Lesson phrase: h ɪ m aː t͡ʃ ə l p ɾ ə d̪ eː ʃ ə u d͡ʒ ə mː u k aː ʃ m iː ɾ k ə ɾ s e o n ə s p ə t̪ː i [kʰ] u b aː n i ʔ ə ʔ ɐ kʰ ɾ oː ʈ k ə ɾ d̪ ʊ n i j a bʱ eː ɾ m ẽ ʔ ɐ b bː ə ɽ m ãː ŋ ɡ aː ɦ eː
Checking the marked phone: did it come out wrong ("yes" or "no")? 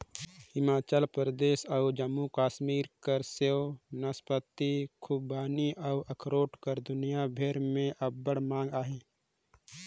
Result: no